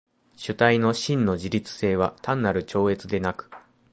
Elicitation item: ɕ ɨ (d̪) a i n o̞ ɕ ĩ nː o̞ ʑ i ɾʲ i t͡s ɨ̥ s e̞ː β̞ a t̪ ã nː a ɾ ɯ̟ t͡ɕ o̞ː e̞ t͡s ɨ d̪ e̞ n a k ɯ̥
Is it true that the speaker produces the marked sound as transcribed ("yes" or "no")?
no